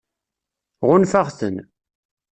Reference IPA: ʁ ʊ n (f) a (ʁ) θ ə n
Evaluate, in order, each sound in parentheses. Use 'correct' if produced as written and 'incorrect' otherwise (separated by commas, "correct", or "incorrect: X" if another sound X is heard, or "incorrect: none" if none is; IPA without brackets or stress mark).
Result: correct, correct